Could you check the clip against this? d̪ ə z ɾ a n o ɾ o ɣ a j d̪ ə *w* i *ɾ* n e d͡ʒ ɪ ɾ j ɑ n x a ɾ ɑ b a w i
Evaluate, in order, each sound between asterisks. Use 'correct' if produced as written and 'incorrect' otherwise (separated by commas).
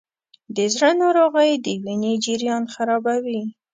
correct, incorrect